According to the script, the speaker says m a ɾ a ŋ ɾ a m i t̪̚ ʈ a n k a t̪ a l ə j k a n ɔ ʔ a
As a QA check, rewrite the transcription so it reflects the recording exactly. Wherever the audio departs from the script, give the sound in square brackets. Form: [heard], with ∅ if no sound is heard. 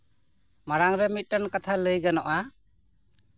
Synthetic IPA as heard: m a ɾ a ŋ ɾ [ɛ] m i t̪̚ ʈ a n k a [t̪ʰ] a l ə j [ɡ] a n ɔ ʔ a